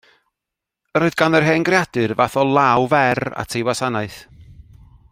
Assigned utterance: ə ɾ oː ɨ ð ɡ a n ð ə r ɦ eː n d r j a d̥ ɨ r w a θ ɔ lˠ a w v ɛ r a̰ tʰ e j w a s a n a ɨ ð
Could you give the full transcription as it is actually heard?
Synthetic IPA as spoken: ə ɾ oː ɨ ð ɡ a n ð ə r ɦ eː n ɡ r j a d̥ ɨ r v a θ ɔ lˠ a w v ɛ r a̰ tʰ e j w a s a n a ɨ θ